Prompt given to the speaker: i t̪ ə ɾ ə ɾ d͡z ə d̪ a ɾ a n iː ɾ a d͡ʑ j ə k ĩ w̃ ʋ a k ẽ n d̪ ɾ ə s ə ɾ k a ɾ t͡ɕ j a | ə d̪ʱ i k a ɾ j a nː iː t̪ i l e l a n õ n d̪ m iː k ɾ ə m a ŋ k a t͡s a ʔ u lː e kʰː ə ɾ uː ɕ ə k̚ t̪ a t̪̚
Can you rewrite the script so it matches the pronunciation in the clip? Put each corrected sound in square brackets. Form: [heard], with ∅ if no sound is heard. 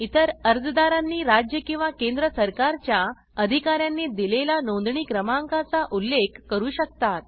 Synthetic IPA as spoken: i t̪ ə ɾ ə ɾ d͡z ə d̪ a ɾ a [nː] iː ɾ a d͡ʑ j ə k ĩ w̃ ʋ a k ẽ n d̪ ɾ ə s ə ɾ k a ɾ t͡ɕ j a | ə d̪ʱ i k a ɾ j a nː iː [d̪] i l e l a n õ n d̪ [ɳ] iː k ɾ ə m a ŋ k a t͡s a ʔ u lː e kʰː ə ɾ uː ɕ ə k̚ t̪ a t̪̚